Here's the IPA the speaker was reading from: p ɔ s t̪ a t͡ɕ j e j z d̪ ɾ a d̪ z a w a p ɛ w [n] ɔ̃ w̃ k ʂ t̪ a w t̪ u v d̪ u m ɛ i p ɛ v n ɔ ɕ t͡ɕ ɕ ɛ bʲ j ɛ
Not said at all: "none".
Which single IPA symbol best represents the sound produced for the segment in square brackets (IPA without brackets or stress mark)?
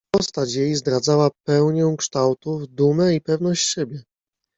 ɲ